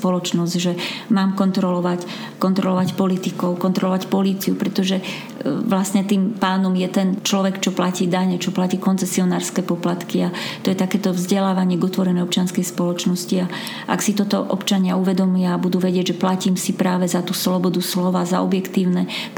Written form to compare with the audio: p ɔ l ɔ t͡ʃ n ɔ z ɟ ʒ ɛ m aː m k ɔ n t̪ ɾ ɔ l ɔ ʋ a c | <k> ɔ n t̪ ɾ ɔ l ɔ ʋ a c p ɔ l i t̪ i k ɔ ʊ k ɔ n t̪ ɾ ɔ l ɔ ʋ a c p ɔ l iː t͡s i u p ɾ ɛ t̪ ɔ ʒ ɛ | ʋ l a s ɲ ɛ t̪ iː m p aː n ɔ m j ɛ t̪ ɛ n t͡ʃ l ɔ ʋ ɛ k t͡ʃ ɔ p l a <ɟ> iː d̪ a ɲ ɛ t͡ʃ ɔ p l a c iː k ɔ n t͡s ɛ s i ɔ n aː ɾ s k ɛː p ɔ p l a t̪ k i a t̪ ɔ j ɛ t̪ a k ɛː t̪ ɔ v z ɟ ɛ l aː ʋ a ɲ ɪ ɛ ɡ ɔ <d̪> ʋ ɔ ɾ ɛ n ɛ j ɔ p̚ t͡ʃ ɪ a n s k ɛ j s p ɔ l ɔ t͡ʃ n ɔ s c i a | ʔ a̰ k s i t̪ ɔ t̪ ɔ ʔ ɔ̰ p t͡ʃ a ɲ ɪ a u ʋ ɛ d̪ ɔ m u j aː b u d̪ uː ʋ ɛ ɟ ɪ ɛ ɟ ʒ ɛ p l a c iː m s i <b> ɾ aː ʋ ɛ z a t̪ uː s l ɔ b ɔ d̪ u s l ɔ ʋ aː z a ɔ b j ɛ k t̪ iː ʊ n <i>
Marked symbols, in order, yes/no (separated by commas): yes, no, no, no, no